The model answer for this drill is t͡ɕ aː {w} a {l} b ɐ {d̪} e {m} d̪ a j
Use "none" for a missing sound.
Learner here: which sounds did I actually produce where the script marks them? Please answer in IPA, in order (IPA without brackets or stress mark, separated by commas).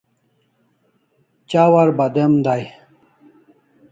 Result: w, ɾ, d̪, m